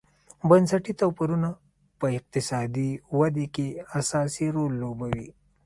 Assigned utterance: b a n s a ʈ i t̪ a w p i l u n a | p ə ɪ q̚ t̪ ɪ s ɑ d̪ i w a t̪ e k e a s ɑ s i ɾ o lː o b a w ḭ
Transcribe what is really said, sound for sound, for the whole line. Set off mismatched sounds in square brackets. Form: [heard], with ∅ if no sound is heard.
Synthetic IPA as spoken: b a n s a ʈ i t̪ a w p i [ɾ] u n a | p ə ɪ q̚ t̪ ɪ s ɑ d̪ i w a [d̪] e k e a s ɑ s i ɾ o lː o b a w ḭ